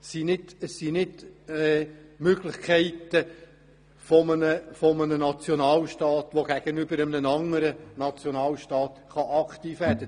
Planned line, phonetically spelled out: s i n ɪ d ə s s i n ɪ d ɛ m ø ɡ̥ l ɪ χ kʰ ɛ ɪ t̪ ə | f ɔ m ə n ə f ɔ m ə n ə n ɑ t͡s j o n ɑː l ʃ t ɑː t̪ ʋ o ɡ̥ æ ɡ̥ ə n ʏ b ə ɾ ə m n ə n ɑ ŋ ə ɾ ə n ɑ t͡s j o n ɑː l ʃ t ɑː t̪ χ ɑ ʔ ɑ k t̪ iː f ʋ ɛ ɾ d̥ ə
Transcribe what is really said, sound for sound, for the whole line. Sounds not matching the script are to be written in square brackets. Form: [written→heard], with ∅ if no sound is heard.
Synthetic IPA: s i n ɪ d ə s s i n ɪ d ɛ m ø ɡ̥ l ɪ χ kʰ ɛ ɪ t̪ ə | f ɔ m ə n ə f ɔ m ə n ə n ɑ t͡s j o n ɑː l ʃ t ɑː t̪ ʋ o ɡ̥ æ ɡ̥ ə n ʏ b ə ɾ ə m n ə n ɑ ŋ ə ɾ ə n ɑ t͡s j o n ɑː l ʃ t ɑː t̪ χ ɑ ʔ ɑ k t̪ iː f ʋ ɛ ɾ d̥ ə